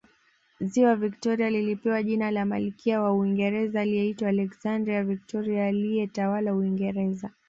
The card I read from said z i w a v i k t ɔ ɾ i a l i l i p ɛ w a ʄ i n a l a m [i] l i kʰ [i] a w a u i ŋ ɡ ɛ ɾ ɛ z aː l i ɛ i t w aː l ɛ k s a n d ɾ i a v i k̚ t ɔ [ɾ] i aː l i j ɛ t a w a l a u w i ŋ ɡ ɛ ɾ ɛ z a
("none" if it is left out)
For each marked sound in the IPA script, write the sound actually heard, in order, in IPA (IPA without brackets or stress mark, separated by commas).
a, i, ɾ